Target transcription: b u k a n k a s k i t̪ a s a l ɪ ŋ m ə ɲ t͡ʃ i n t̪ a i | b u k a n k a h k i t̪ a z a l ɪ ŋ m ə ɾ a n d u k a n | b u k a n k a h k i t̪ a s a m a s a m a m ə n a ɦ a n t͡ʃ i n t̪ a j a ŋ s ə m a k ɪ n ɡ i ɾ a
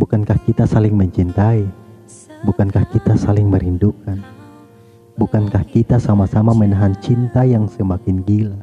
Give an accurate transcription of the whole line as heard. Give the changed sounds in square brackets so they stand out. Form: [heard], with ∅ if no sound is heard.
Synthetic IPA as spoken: b u k a n k a [h] k i t̪ a s a l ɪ ŋ m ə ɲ t͡ʃ i n t̪ a i | b u k a n k a h k i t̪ a [s] a l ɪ ŋ m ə ɾ [i] n d u k a n | b u k a n k a h k i t̪ a s a m a s a m a m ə n a ɦ a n t͡ʃ i n t̪ a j a ŋ s ə m a k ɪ n ɡ i [l] a